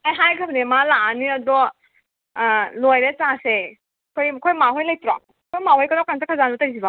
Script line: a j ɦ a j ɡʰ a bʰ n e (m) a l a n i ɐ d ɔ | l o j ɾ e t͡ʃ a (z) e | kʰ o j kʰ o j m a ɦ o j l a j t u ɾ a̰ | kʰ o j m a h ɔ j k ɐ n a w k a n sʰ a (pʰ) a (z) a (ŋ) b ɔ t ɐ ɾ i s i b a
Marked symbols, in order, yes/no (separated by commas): yes, no, no, yes, no